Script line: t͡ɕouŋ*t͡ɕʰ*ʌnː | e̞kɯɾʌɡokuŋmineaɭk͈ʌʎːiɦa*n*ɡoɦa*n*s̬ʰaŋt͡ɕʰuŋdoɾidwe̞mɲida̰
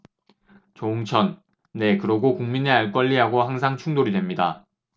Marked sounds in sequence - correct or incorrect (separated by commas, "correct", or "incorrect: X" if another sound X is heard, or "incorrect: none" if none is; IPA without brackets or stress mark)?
correct, incorrect: none, incorrect: ŋ